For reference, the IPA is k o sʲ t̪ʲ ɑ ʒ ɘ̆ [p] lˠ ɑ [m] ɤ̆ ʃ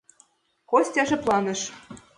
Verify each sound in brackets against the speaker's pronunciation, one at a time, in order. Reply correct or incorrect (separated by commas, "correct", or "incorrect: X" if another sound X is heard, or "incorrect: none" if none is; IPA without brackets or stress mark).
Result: correct, incorrect: n